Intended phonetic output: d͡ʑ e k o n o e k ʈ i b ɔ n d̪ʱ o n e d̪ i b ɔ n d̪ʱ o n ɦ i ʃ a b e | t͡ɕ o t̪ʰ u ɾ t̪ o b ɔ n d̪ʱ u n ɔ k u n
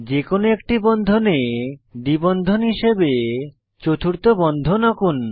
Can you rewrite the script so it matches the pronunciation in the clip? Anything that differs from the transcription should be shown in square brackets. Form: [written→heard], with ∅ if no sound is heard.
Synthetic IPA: d͡ʑ e k o n o e k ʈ i b ɔ n d̪ʱ o n e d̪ i b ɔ n d̪ʱ o n ɦ i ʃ [a→e] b e | t͡ɕ o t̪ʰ u ɾ t̪ o b ɔ n d̪ʱ [u→o] n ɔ k u n